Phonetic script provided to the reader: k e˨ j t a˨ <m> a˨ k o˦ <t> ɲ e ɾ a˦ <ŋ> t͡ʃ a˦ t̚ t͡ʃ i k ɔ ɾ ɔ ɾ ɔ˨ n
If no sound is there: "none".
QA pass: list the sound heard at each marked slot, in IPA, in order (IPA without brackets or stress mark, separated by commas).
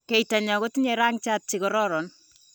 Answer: ɲ, t, ŋ